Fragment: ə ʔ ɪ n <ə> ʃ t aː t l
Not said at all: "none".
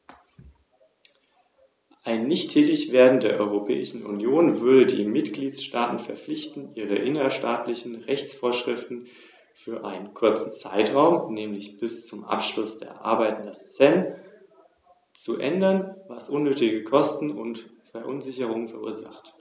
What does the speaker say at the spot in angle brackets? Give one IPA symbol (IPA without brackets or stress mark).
ɐ